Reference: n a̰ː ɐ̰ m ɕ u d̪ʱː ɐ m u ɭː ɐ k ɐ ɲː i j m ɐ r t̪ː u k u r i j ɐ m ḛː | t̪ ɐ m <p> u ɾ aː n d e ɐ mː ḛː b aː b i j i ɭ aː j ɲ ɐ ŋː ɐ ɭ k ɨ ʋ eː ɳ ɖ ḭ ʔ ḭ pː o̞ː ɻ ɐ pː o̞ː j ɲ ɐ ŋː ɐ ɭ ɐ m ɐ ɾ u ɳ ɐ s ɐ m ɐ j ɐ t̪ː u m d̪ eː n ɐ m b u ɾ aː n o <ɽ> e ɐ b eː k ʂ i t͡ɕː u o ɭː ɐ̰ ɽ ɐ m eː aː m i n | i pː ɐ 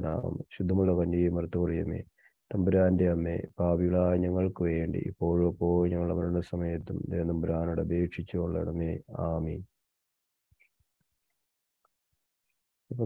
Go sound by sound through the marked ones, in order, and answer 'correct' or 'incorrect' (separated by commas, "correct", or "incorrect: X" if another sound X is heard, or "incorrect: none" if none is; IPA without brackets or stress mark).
incorrect: b, correct